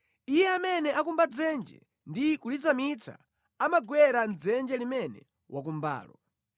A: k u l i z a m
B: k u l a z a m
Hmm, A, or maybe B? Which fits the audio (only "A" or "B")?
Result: A